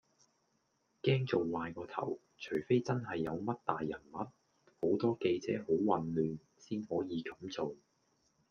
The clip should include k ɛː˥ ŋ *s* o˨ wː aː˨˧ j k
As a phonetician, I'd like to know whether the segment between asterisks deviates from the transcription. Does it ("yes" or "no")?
yes